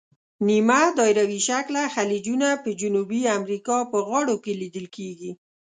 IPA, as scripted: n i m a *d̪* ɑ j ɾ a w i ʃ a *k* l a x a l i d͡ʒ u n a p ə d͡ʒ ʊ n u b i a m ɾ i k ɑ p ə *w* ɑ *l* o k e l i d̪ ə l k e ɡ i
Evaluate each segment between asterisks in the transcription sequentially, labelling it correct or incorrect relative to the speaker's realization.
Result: correct, correct, incorrect: ɣ, incorrect: ɽ

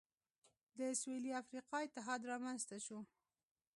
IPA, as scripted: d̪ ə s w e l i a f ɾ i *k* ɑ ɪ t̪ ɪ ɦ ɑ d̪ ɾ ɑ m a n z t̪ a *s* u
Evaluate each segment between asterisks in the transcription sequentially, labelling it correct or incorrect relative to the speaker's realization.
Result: incorrect: q, incorrect: ʃ

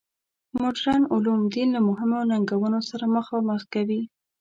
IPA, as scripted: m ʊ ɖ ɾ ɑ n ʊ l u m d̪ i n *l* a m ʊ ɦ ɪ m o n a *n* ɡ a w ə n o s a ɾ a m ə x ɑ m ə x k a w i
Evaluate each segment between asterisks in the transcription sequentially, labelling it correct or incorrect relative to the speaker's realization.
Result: correct, incorrect: ŋ

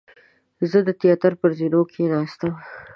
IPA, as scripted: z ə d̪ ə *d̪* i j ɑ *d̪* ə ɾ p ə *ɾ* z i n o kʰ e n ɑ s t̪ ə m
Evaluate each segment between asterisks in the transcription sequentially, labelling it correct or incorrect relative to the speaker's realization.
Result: incorrect: t̪, incorrect: t̪, correct

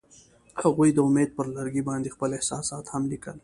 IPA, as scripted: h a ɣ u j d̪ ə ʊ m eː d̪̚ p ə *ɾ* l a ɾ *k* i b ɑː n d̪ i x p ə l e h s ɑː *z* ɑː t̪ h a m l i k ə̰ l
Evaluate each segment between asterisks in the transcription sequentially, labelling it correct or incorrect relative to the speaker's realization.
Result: correct, incorrect: ɡ, incorrect: s

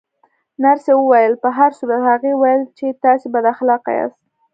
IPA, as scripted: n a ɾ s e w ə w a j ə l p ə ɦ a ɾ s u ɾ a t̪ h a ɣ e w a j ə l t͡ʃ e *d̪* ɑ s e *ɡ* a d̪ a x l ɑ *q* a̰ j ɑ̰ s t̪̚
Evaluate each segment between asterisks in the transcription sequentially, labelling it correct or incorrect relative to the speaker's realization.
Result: incorrect: t̪, incorrect: b, correct

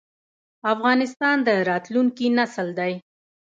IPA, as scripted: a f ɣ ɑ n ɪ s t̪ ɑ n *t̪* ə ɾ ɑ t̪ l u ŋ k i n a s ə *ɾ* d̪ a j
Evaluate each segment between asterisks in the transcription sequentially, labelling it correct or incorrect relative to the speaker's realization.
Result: incorrect: d̪, incorrect: l

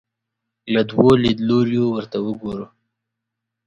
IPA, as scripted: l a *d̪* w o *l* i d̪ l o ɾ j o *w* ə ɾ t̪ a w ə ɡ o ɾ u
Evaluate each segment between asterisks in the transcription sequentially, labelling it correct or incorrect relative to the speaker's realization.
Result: correct, correct, correct

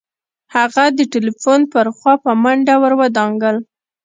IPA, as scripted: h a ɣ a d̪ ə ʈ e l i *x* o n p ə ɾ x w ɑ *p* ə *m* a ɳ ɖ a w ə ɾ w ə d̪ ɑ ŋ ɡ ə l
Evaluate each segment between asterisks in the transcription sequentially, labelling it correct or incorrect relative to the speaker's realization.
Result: incorrect: f, correct, correct

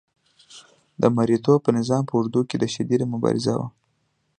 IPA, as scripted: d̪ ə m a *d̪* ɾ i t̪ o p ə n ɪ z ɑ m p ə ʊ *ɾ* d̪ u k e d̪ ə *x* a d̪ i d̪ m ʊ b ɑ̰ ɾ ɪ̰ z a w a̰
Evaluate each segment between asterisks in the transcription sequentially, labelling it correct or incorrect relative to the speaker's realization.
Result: incorrect: none, correct, incorrect: ʃ

